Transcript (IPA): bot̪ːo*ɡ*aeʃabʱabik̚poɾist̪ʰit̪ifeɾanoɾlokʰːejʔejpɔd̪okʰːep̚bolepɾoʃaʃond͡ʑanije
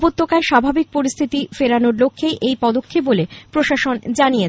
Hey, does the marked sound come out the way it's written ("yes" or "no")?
no